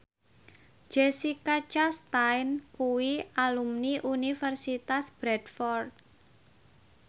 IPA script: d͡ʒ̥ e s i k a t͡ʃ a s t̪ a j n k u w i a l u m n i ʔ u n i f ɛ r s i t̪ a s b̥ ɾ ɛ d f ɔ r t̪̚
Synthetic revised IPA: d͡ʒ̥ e s i k a t͡ʃ a s t̪ a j n k u w i a l u m n i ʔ u n i f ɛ r s i t̪ a s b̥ ɾ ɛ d f ɔ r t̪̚